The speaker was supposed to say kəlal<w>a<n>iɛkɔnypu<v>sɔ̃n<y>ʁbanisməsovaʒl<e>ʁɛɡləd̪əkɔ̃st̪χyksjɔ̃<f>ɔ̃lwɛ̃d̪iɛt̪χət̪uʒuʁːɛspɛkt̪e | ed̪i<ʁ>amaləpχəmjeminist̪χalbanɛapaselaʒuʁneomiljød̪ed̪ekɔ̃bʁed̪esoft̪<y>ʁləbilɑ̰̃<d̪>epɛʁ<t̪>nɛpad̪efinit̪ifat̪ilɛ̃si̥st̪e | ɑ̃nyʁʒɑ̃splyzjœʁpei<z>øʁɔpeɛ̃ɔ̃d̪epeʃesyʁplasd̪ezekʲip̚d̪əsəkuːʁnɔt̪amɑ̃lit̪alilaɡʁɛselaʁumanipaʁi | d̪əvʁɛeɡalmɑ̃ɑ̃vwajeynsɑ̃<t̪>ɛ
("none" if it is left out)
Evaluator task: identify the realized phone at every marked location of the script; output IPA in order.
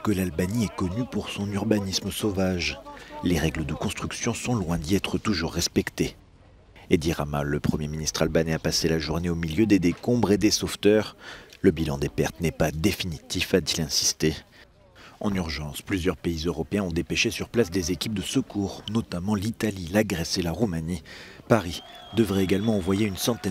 b, n, ʁ, y, e, s, ʁ, œ, d̪, t̪, z, t̪

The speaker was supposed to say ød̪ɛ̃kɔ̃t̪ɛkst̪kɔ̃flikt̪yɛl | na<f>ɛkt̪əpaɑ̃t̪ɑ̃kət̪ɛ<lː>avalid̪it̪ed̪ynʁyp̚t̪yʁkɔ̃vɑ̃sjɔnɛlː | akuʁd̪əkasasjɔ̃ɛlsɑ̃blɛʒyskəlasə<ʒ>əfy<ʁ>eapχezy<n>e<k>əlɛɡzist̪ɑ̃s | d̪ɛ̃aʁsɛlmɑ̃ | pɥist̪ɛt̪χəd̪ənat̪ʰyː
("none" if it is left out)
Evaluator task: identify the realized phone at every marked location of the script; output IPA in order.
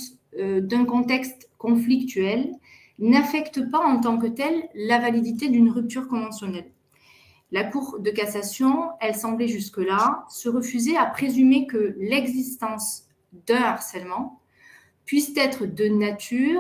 f, lː, ʁ, z, m, k

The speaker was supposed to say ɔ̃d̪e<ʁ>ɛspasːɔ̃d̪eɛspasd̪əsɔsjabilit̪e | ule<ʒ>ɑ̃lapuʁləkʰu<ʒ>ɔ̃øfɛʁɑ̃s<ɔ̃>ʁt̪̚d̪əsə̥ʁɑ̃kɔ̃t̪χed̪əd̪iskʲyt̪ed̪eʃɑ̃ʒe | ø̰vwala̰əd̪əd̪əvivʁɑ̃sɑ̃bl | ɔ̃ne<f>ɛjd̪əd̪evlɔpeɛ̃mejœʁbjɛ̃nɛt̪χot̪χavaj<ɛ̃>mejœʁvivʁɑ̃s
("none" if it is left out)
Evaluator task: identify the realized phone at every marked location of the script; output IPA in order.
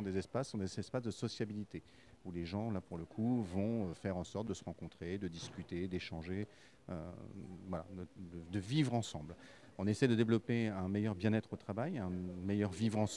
z, ʒ, v, ɔ, s, ɛ̃

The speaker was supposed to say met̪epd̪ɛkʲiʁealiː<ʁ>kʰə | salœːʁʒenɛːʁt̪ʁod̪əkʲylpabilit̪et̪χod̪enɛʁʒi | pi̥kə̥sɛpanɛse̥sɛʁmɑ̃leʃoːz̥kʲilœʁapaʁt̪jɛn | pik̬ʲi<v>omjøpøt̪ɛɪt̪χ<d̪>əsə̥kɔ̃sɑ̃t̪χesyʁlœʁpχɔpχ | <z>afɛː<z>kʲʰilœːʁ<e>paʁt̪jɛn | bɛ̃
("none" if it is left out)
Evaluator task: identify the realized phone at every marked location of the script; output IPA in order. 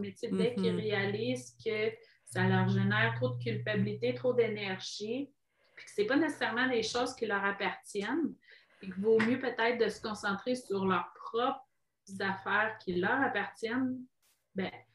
z, v, d̪, z, ʁ, a

